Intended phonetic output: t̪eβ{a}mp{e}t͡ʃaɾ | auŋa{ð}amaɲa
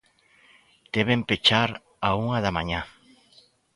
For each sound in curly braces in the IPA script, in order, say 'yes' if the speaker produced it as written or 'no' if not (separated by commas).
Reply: no, yes, yes